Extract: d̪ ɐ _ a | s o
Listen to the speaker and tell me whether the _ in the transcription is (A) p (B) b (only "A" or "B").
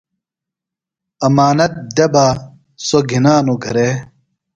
B